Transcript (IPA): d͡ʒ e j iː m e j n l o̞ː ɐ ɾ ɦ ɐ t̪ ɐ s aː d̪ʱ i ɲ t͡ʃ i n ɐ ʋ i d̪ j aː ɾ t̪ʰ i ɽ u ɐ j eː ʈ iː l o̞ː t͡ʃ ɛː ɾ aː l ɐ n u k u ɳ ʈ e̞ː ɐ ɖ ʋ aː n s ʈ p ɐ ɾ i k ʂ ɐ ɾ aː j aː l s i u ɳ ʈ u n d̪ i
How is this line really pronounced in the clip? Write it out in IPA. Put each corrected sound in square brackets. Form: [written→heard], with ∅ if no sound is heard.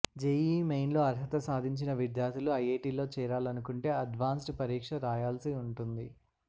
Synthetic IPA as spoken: d͡ʒ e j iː m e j n l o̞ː ɐ ɾ ɦ ɐ t̪ ɐ s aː d̪ʱ i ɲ t͡ʃ i n ɐ ʋ i d̪ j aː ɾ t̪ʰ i [ɽ→l] u ɐ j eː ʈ iː l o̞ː t͡ʃ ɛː ɾ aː l ɐ n u k u ɳ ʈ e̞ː ɐ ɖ ʋ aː n s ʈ p ɐ ɾ [i→iː] k ʂ ɐ ɾ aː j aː l s i u ɳ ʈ u n d̪ i